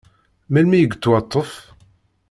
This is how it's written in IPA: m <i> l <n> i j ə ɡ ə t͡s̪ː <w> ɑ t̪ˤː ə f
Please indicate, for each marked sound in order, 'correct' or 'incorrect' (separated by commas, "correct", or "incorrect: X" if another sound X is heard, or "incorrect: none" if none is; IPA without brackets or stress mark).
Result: incorrect: æ, incorrect: m, correct